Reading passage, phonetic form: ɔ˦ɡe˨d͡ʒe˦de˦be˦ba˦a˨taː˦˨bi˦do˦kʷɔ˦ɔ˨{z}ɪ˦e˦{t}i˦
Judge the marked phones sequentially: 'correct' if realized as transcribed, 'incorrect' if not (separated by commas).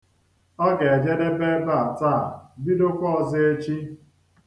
correct, incorrect